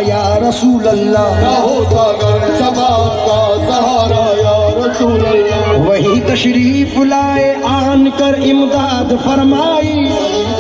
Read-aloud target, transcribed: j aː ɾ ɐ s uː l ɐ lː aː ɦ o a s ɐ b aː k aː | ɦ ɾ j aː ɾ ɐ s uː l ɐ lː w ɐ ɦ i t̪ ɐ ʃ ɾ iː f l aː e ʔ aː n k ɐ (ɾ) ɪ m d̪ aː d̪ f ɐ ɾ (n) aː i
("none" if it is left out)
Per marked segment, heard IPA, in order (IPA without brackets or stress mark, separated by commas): ɾ, m